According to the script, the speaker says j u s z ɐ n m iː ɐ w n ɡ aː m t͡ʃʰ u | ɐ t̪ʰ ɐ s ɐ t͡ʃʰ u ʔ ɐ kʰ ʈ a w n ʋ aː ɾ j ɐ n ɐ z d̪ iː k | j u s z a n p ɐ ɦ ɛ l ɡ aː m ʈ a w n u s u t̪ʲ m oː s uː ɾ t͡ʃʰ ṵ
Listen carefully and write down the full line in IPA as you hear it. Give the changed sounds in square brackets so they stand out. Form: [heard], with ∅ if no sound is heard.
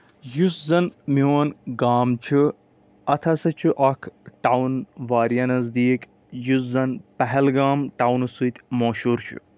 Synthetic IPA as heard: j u s z ɐ n m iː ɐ [∅] n ɡ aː m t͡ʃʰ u | ɐ t̪ʰ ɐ s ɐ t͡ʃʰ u ʔ ɐ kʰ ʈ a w n ʋ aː ɾ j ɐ n ɐ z d̪ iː k | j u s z [ɐ] n p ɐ ɦ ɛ l ɡ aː m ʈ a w n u s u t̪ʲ m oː [ʃ] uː ɾ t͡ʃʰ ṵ